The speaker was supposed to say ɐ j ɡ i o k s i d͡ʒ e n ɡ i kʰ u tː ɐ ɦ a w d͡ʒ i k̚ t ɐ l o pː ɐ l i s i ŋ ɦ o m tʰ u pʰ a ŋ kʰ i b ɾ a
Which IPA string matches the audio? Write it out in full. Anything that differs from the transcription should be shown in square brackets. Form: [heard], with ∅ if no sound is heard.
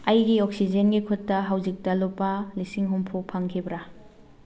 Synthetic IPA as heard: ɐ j ɡ i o k s i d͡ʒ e n ɡ i kʰ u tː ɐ ɦ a w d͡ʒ i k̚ t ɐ l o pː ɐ l i s i ŋ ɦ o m [pʰ] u pʰ a ŋ kʰ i b ɾ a